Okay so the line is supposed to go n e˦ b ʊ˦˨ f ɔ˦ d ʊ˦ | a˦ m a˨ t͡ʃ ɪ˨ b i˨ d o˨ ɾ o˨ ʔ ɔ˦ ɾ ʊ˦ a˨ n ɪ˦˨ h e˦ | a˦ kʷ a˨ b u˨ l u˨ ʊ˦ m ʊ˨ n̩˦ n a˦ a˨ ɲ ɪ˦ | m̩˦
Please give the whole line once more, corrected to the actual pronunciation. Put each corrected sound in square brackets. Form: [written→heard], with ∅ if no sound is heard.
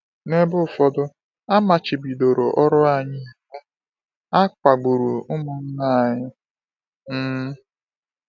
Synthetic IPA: n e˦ b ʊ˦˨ f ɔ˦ d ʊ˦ | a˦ m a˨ t͡ʃ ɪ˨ b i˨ d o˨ ɾ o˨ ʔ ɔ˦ ɾ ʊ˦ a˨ [n→ɲ] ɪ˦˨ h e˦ | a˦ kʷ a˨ [b→ɡ͡b] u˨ [l→ɾ] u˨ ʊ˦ m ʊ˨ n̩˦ n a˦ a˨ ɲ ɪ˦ | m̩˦